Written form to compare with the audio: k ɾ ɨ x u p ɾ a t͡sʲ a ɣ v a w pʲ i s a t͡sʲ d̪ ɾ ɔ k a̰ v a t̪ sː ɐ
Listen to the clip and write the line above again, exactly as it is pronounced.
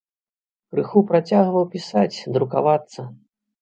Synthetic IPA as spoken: k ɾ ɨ x u p ɾ a t͡sʲ a ɣ v ɐ w pʲ i s a t͡sʲ d̪ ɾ u k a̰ v a t̪ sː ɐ